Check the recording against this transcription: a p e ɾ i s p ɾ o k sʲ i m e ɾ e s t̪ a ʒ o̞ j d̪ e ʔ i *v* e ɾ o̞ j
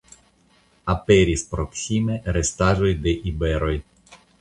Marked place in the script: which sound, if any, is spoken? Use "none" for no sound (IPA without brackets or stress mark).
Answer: b